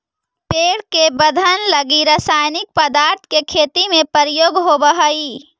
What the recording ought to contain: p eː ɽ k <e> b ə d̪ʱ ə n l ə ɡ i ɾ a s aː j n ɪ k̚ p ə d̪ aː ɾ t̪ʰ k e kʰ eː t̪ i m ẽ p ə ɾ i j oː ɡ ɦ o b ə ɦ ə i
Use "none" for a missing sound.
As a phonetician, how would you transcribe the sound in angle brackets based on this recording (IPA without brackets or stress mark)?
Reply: e